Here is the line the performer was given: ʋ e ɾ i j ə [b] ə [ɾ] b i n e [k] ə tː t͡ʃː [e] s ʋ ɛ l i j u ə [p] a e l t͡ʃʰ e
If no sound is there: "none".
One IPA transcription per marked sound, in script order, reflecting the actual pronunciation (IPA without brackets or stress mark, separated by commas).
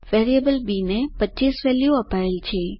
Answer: b, l, p, i, p